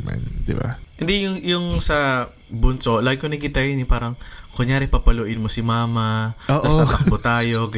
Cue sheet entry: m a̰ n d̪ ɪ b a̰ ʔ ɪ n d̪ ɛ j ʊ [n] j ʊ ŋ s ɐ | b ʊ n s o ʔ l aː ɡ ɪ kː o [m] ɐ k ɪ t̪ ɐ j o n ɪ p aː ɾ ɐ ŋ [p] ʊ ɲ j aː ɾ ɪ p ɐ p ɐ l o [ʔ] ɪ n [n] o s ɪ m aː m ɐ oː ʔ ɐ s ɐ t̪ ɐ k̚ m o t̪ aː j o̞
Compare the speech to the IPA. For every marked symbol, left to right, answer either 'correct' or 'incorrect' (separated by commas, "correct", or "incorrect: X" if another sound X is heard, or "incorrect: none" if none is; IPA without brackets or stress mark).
incorrect: ŋ, incorrect: n, incorrect: k, correct, incorrect: m